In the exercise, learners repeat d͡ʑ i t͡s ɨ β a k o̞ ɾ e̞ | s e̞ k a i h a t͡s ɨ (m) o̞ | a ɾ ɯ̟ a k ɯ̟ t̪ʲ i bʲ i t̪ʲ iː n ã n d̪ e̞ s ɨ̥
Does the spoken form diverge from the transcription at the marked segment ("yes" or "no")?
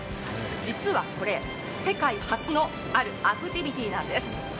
yes